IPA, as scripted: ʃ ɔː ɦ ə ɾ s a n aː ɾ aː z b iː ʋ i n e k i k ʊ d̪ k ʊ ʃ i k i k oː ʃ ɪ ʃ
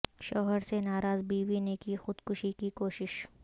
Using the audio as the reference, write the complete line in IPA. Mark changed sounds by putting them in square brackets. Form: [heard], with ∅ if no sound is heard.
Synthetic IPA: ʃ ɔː ɦ ə ɾ s [e] n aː ɾ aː z b iː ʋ i n e k i [x] ʊ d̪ k ʊ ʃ i k i k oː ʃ ɪ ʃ